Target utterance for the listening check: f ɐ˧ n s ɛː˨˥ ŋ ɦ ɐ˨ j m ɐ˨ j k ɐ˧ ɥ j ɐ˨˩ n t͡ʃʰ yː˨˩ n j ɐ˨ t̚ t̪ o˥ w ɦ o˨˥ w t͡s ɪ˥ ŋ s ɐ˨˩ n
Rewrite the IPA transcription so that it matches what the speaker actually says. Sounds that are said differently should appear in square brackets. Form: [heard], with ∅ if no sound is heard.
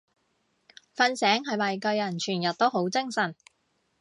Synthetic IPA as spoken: f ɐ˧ n s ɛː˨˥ ŋ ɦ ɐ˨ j m ɐ˨ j k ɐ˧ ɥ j ɐ˨˩ n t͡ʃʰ yː˨˩ n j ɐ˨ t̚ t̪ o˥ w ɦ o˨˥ w t͡s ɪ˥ ŋ s ɐ˨˩ n